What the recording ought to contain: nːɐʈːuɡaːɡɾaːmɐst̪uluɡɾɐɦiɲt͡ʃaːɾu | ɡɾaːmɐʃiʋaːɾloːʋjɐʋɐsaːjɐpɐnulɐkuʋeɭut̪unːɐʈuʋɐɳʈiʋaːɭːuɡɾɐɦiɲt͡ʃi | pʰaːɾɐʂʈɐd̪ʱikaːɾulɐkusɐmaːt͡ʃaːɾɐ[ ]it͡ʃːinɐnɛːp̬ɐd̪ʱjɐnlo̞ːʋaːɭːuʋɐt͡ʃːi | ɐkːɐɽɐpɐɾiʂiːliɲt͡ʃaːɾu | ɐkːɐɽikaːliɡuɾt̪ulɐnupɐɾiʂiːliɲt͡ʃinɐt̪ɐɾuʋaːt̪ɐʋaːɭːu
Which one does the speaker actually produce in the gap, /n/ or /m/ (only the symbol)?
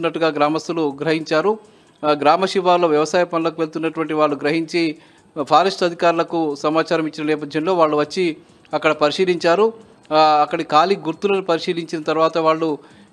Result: m